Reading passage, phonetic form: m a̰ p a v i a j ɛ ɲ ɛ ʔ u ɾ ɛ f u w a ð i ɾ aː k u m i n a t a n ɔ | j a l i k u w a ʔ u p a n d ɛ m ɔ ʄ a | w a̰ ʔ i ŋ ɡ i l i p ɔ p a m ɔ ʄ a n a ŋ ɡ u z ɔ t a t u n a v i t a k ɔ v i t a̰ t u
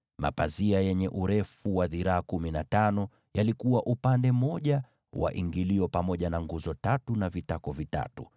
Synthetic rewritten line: m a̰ p a z i a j ɛ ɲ ɛ ʔ u ɾ ɛ f u w a ð i ɾ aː k u m i n a t a n ɔ | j a l i k u w a ʔ u p a n d ɛ m ɔ ʄ a | w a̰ ʔ i ŋ ɡ i l i ɔ p a m ɔ ʄ a n a ŋ ɡ u z ɔ t a t u n a v i t a k ɔ v i t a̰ t u